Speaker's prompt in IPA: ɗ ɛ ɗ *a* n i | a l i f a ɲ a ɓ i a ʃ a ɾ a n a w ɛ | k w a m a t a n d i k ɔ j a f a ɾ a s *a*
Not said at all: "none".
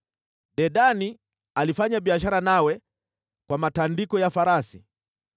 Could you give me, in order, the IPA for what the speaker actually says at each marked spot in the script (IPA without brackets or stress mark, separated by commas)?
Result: a, i